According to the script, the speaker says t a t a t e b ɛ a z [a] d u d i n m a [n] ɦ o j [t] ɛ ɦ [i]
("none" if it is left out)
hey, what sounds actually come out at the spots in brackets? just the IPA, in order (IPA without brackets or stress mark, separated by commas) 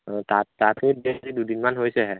i, n, s, ɛ